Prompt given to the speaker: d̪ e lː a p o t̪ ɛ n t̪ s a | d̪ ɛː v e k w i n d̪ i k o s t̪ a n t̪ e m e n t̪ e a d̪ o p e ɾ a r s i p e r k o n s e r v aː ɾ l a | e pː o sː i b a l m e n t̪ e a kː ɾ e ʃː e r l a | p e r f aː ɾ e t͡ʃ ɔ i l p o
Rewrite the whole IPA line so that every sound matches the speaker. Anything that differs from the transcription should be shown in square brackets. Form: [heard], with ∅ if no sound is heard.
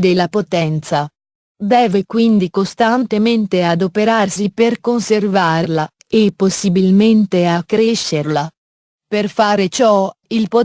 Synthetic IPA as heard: d̪ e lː a p o t̪ ɛ n t̪ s a | d̪ ɛː v e k w i n d̪ i k o s t̪ a n t̪ e m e n t̪ e a d̪ o p e ɾ a r s i p e r k o n s e r v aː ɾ l a | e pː o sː i b [i] l m e n t̪ e a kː ɾ e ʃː e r l a | p e r f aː ɾ e t͡ʃ ɔ i l p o